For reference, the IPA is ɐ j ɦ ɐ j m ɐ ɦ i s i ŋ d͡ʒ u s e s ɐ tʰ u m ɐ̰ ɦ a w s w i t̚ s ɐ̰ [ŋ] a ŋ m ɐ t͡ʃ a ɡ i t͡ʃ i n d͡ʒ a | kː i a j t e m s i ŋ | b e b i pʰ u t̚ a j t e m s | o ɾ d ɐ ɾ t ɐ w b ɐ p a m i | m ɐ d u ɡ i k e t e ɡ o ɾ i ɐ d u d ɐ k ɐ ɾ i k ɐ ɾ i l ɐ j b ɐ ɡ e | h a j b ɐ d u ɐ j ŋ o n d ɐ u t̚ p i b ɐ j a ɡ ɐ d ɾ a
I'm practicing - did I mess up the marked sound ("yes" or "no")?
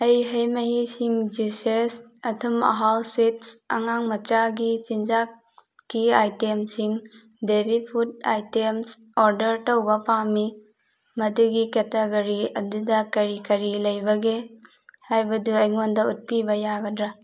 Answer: no